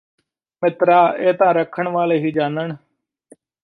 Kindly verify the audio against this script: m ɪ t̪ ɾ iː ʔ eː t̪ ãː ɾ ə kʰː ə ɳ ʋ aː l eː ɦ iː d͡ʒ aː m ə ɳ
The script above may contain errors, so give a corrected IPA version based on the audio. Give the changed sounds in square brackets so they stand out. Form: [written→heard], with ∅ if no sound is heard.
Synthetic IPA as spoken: m ɪ t̪ ɾ [iː→aː] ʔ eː t̪ ãː ɾ ə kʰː ə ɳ ʋ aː l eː ɦ iː d͡ʒ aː [m→n] ə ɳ